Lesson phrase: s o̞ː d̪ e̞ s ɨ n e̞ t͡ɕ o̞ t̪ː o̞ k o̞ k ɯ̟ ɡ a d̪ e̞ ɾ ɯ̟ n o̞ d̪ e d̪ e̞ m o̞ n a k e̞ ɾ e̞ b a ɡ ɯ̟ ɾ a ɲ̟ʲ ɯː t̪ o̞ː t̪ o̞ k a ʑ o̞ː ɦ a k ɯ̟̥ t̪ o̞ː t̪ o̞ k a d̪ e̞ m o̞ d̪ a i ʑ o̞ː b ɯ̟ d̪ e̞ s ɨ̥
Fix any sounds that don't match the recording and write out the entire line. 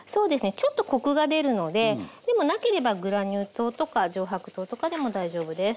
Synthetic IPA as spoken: s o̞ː d̪ e̞ s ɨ n e̞ t͡ɕ o̞ t̪ː o̞ k o̞ k ɯ̟ ɡ a d̪ e̞ ɾ ɯ̟ n o̞ d̪ e d̪ e̞ m o̞ n a k e̞ ɾ e̞ b a ɡ ɯ̟ ɾ a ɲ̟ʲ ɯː t̪ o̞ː t̪ o̞ k a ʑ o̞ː ɦ a k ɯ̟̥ t̪ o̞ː t̪ o̞ k a d̪ e̞ m o̞ d̪ a i ʑ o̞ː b ɯ̟ d̪ e̞ s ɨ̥